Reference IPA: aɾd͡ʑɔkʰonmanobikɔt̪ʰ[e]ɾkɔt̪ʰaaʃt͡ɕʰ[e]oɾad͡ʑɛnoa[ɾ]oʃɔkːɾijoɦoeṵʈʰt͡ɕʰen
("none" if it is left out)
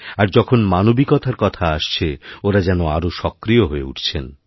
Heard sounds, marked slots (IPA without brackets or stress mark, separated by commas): a, e, ɾ